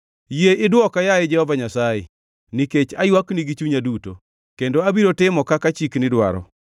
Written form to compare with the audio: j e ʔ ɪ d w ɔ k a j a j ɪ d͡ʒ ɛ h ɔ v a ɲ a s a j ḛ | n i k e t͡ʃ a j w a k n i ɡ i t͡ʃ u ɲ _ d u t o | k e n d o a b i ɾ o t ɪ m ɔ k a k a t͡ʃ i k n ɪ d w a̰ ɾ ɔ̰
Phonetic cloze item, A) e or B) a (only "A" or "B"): B